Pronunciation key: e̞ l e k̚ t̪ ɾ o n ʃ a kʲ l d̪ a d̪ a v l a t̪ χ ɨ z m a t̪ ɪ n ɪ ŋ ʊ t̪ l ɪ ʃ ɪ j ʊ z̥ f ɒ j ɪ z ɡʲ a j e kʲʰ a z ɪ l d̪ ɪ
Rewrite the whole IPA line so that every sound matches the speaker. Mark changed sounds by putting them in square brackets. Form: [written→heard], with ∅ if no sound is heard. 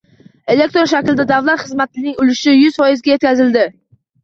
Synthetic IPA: e̞ l e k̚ t̪ ɾ o n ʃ a kʲ l d̪ a d̪ a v l a t̪ χ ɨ z m a t̪ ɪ n ɪ ŋ ʊ [t̪→∅] l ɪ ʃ ɪ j ʊ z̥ f ɒ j ɪ z ɡʲ a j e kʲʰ a z ɪ l d̪ ɪ

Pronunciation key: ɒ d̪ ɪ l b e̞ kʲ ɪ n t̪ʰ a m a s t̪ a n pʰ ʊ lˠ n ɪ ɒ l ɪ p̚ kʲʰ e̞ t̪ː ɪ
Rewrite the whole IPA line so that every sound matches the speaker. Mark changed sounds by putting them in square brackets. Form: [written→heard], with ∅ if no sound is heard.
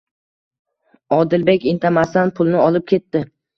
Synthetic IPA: ɒ d̪ ɪ l b e̞ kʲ ɪ n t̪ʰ a m a s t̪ a n pʰ ʊ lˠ n ɪ ɒ l ɪ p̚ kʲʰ e̞ t̪ː ɪ

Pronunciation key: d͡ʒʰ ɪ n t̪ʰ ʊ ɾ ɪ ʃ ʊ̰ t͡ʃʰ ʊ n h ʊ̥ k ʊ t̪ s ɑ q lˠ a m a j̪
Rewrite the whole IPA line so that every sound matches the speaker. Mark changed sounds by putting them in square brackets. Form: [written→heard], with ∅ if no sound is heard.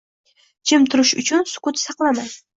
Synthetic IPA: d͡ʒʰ ɪ [n→m] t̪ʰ ʊ ɾ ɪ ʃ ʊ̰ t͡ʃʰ ʊ n [h→s] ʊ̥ k ʊ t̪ s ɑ q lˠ a m a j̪

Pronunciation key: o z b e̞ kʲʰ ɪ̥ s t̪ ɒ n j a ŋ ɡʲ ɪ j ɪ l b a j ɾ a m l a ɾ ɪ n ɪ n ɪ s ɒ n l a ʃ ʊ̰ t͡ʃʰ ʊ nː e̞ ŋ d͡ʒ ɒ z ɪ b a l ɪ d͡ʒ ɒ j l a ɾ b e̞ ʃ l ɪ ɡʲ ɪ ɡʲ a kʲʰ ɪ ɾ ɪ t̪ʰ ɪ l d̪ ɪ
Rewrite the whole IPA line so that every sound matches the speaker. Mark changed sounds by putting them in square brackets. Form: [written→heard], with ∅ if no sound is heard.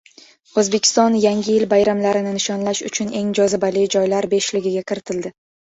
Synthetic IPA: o z b e̞ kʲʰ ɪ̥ s t̪ ɒ n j a ŋ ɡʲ ɪ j ɪ l b a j ɾ a m l a ɾ ɪ n ɪ n ɪ [s→ʃ] ɒ n l a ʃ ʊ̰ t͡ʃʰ ʊ [nː→n] e̞ ŋ d͡ʒ ɒ z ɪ b a l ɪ d͡ʒ ɒ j l a ɾ b e̞ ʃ l ɪ ɡʲ ɪ ɡʲ a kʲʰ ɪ ɾ ɪ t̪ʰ ɪ l d̪ ɪ

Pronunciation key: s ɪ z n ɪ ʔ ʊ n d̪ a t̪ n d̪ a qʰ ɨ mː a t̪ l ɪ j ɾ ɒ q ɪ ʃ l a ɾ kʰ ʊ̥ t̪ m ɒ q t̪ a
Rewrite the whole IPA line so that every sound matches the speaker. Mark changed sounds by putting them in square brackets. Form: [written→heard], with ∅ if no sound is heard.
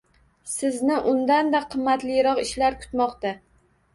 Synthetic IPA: s ɪ z n ɪ ʔ ʊ n d̪ a [t̪→∅] n d̪ a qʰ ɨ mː a t̪ l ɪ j ɾ ɒ q ɪ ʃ l a ɾ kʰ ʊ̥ t̪ m ɒ q t̪ a

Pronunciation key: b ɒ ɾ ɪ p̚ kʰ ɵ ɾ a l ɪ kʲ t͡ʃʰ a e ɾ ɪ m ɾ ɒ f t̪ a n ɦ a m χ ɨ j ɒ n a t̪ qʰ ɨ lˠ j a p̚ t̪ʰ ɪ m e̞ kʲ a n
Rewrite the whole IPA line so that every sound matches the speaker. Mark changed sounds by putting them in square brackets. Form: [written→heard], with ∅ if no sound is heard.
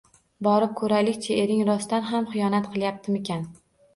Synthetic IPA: b ɒ ɾ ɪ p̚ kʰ ɵ ɾ a l ɪ kʲ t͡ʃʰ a e ɾ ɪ [m→ŋ] ɾ ɒ [f→s] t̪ a n ɦ a m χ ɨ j ɒ n a t̪ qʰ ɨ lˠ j a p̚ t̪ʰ ɪ m e̞ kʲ a n

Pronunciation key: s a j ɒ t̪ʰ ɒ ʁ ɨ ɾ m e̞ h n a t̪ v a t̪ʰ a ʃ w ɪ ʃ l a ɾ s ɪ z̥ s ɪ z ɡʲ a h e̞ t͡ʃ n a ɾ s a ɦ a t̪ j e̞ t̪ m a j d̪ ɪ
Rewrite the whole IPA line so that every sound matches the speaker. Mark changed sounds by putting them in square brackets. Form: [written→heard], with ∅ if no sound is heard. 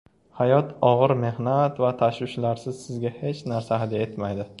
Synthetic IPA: [s→h] a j ɒ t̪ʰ ɒ ʁ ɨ ɾ m e̞ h n a t̪ v a t̪ʰ a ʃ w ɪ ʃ l a ɾ s ɪ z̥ s ɪ z ɡʲ a h e̞ t͡ʃ n a ɾ s a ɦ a [t̪→d̪] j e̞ t̪ m a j d̪ ɪ

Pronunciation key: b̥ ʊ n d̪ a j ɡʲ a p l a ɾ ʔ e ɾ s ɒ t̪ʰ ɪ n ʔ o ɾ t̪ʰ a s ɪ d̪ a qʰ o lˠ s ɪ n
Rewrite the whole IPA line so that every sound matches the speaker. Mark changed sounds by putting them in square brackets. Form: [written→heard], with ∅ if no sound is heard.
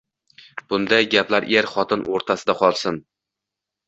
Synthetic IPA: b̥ ʊ n d̪ a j ɡʲ a p l a ɾ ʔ e ɾ [s→χ] ɒ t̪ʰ ɪ n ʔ o ɾ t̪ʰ a s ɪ d̪ a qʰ [o→ɒ] lˠ s ɪ n

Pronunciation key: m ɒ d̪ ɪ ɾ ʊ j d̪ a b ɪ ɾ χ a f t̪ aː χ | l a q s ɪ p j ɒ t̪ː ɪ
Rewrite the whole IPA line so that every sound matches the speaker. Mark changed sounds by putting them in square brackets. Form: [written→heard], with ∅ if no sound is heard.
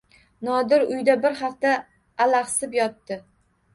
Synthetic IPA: [m→n] ɒ d̪ ɪ ɾ ʊ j d̪ a b ɪ ɾ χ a f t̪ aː [χ→∅] | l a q s ɪ p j ɒ t̪ː ɪ

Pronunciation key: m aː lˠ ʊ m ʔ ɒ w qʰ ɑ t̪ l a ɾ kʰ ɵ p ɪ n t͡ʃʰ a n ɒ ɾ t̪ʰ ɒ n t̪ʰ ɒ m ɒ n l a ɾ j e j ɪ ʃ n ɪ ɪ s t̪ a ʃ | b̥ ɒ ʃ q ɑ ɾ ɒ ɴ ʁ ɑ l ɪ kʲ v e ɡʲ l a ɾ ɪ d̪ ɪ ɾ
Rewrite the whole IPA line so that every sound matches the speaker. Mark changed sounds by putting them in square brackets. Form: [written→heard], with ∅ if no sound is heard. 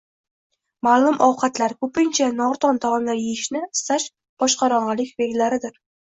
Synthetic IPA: m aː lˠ ʊ m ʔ ɒ w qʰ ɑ t̪ l a ɾ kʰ ɵ p ɪ n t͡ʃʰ a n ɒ ɾ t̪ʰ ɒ n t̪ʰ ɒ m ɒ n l a ɾ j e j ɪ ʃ n ɪ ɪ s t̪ a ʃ | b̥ ɒ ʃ q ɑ ɾ ɒ ɴ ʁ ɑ l ɪ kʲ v e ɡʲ l a ɾ ɪ d̪ ɪ ɾ

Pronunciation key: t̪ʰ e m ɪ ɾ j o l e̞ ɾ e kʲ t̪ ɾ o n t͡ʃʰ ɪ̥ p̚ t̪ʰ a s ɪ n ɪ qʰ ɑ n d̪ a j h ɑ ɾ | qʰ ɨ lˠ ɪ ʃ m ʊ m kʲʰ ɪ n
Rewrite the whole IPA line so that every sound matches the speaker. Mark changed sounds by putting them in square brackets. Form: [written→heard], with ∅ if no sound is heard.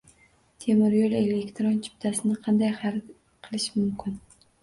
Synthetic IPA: t̪ʰ e m ɪ ɾ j o l e̞ [ɾ→l] e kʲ t̪ ɾ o n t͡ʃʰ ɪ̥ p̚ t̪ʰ a s ɪ n ɪ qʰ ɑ n d̪ a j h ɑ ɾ | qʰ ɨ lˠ ɪ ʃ m ʊ m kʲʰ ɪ n

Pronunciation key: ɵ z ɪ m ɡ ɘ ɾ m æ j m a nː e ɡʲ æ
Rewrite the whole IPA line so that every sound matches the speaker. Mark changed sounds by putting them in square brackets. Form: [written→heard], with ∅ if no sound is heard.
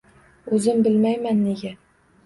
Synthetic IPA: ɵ z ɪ m [ɡ→b] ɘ [ɾ→l] m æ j m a nː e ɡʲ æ

